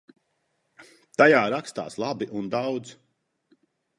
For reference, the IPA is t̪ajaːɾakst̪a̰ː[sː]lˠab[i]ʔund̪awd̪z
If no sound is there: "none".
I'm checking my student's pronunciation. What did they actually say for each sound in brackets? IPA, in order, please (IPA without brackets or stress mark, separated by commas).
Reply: s, i